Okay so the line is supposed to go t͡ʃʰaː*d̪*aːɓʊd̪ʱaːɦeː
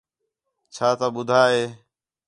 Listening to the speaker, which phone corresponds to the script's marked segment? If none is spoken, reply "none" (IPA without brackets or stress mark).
t̪